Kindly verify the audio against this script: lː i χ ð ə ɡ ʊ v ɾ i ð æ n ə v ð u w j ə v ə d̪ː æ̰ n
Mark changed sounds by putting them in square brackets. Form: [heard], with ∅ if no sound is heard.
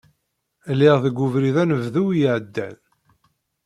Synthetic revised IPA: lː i [ʁ] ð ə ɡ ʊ v ɾ i ð æ n ə v ð u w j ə [ʕ] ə d̪ː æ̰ n